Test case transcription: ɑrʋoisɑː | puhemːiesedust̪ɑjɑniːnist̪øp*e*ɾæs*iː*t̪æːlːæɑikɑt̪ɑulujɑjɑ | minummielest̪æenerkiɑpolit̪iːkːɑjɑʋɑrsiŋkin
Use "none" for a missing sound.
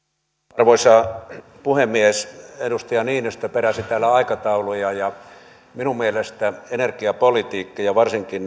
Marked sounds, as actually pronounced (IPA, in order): e, i

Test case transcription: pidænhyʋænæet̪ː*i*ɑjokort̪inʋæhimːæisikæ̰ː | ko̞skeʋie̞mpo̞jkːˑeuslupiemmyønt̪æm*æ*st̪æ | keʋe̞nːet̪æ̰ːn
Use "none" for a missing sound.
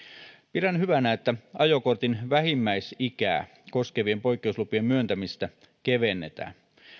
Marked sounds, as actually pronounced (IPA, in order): æ, i

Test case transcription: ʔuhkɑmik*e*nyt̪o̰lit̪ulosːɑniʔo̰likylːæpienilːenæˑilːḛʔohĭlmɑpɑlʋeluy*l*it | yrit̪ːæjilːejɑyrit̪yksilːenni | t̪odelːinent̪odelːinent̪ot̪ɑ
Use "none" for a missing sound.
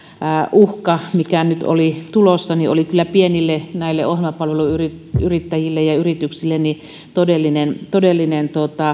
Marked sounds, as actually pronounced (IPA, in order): æ, r

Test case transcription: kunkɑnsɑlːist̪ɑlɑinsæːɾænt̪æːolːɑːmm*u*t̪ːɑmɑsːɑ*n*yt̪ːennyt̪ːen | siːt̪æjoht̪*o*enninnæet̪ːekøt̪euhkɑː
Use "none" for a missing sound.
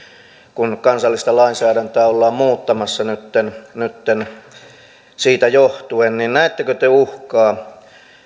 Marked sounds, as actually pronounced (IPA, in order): uː, n, u

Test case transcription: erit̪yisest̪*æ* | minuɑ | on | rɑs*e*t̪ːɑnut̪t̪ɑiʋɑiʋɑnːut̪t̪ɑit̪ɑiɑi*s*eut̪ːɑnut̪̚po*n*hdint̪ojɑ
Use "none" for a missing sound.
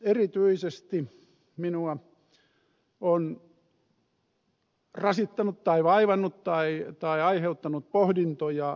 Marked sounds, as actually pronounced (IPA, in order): i, i, h, none

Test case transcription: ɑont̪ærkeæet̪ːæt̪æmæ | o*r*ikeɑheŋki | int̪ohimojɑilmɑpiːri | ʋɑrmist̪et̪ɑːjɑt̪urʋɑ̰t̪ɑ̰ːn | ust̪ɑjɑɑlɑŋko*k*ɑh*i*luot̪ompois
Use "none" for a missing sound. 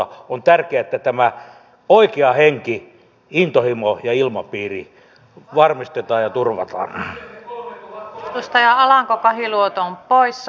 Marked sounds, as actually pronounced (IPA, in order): none, k, i

